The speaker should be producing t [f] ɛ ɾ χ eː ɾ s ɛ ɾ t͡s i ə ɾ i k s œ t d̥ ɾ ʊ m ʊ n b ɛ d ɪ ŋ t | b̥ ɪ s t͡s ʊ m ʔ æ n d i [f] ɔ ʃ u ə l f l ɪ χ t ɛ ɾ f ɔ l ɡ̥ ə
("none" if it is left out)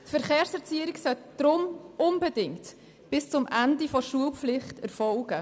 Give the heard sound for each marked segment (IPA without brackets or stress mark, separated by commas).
f, f